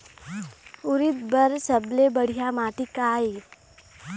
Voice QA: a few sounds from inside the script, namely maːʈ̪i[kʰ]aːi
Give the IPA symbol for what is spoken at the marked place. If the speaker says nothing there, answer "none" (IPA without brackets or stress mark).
k